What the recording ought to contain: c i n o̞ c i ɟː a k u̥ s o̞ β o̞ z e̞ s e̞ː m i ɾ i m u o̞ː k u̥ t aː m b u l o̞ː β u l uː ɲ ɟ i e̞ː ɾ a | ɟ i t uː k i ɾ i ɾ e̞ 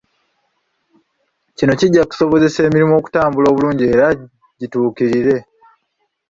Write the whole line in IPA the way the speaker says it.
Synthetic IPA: c i n o̞ c i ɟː a k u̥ s o̞ β o̞ z e̞ s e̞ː m i ɾ i m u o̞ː k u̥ t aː m b u l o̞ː β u l uː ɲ ɟ i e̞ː ɾ a | ɟ i t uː k i ɾ i ɾ e̞